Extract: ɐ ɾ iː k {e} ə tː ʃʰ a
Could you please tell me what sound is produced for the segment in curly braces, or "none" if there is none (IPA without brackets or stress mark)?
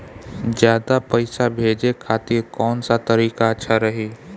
a